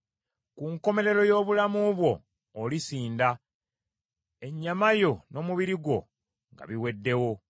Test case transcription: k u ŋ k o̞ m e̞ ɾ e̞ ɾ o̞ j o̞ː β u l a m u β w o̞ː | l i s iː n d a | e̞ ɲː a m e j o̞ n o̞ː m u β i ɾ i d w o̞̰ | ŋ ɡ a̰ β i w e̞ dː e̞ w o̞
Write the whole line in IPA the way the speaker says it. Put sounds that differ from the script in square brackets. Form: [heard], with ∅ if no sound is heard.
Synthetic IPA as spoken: k u ŋ k o̞ m e̞ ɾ e̞ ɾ o̞ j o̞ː β u l a m u β w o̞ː | l i s iː n d a | e̞ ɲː a m [a] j o̞ n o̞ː m u β i ɾ i [ɡ] w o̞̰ | ŋ ɡ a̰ β i w e̞ dː e̞ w o̞